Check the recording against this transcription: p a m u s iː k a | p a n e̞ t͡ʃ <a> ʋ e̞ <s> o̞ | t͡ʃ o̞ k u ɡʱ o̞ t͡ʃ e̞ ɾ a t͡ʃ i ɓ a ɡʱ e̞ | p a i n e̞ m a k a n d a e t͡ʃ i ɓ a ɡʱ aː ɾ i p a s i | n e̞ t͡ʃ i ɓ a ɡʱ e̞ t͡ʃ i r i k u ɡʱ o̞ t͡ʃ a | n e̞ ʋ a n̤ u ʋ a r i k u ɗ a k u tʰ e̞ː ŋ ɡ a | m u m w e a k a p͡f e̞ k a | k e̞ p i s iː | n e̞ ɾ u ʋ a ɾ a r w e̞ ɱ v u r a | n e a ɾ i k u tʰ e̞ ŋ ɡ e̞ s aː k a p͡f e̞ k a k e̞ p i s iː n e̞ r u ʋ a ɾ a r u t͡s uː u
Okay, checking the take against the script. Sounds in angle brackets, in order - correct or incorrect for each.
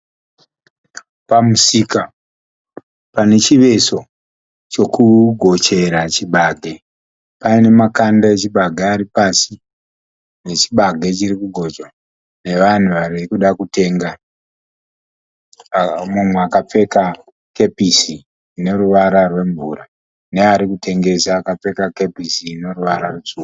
incorrect, correct

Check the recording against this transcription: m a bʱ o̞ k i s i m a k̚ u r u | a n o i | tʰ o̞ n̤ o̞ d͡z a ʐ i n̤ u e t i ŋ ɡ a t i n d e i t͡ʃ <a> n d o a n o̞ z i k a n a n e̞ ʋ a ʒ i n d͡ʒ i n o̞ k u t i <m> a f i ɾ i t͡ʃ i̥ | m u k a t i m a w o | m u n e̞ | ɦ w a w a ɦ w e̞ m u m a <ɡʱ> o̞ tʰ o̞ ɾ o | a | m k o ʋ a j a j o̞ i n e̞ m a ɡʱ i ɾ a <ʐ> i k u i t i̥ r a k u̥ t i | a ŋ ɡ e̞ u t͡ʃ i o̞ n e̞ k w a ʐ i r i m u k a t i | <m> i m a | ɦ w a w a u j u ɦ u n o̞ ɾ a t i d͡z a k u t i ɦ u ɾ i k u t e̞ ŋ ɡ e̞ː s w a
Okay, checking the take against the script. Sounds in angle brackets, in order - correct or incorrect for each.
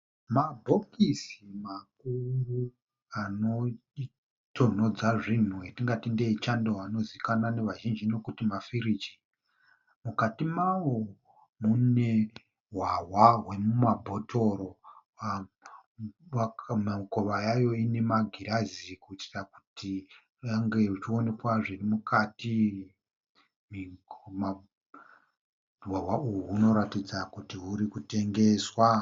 correct, correct, incorrect, incorrect, correct

